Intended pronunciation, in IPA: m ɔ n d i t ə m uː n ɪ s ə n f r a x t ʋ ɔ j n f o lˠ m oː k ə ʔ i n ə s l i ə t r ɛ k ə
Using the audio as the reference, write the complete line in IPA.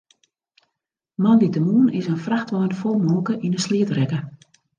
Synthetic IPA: m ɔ n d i t ə m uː n ɪ s ə n f r a x t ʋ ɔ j n f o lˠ m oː k ə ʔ i n ə s l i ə t r ɛ k ə